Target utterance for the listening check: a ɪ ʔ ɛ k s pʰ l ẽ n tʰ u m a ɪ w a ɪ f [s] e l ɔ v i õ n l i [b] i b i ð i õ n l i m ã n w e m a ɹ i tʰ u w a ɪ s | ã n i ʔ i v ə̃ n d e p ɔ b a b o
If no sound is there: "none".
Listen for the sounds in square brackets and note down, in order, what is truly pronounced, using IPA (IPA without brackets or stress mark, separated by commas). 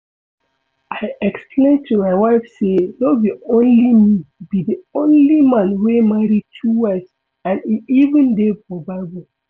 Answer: s, m